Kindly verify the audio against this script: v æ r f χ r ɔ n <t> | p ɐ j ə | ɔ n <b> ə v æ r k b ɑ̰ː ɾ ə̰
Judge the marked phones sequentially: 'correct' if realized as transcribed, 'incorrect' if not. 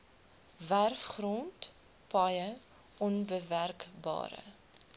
correct, correct

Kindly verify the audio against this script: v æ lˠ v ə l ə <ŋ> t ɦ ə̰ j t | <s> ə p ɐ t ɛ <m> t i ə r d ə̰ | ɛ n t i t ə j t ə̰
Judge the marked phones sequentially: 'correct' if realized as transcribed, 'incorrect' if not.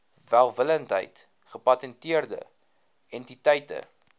incorrect: n, incorrect: χ, incorrect: n

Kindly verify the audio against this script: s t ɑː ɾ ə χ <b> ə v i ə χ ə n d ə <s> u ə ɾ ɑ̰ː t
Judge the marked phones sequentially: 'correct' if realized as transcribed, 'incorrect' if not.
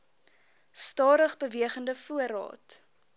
correct, incorrect: f

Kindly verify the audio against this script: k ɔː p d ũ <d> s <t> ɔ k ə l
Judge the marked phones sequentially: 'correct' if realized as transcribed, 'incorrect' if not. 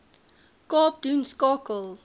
incorrect: n, incorrect: k

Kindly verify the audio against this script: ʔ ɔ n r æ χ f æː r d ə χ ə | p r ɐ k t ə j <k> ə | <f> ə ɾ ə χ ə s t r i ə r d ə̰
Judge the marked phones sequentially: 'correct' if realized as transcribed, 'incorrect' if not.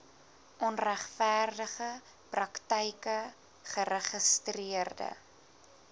correct, incorrect: χ

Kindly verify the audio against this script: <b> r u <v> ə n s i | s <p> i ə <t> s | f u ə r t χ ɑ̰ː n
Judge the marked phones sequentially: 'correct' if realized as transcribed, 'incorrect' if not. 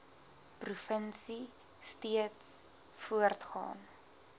incorrect: p, incorrect: f, incorrect: t, correct

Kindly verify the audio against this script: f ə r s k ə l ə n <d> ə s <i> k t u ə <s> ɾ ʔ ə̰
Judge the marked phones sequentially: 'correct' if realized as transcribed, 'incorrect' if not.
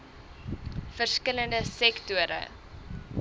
correct, incorrect: ɛ, incorrect: none

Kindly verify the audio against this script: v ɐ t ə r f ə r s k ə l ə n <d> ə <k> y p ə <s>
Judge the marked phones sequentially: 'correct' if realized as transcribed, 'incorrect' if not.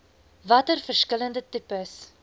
correct, incorrect: t, correct

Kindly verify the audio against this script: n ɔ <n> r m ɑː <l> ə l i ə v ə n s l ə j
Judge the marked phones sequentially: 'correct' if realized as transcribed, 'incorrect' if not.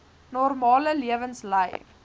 incorrect: none, correct

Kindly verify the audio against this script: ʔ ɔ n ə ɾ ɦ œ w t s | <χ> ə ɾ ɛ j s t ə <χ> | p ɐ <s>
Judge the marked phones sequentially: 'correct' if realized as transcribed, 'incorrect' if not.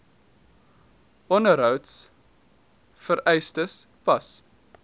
incorrect: f, incorrect: s, correct

